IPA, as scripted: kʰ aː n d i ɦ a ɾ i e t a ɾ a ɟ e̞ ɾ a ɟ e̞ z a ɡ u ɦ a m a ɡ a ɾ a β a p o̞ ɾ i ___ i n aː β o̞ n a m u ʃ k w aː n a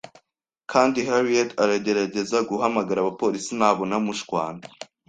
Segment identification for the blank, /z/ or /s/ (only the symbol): s